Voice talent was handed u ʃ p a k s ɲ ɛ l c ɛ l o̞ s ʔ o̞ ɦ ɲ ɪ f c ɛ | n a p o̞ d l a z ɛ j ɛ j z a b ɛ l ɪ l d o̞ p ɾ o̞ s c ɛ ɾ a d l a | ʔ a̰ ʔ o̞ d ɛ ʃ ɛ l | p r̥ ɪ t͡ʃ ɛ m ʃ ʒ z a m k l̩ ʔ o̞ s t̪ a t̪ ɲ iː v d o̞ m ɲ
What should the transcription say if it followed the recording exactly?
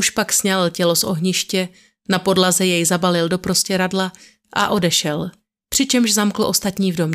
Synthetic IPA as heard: u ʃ p a k s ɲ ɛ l c ɛ l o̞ s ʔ o̞ ɦ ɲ ɪ ʃ c ɛ | n a p o̞ d l a z ɛ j ɛ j z a b a l ɪ l d o̞ p ɾ o̞ s c ɛ ɾ a d l a | ʔ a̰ ʔ o̞ d ɛ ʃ ɛ l | p r̥ ɪ t͡ʃ ɛ m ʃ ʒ z a m k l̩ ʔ o̞ s t̪ a t̪ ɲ iː v d o̞ m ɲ